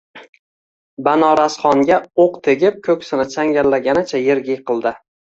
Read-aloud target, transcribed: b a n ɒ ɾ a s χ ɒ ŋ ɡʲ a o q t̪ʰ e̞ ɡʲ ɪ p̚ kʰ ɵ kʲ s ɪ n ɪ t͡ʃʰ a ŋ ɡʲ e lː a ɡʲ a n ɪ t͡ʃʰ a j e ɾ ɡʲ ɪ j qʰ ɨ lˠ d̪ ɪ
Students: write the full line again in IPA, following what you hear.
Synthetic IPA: b a n ɒ ɾ a s χ ɒ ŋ ɡʲ a o q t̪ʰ e̞ ɡʲ ɪ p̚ kʰ ɵ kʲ s ɪ n ɪ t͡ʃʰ a ŋ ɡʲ a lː a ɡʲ a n ɪ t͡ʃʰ a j e ɾ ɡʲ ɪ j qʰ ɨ lˠ d̪ ɪ